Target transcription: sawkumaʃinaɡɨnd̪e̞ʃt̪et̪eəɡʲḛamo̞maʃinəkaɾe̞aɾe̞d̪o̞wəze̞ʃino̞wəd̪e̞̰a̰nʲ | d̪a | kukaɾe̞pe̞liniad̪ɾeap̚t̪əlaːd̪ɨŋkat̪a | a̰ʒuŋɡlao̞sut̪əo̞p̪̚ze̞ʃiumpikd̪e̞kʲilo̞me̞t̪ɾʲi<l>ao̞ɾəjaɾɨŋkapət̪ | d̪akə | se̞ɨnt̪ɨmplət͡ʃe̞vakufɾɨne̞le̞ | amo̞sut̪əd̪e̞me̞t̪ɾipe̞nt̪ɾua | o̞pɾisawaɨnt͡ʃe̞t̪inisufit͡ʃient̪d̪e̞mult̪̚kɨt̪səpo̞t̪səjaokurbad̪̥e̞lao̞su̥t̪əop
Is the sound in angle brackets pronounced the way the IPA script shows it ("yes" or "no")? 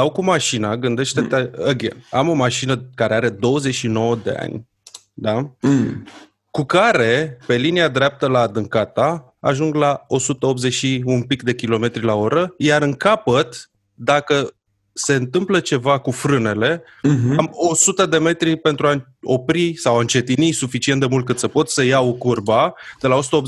yes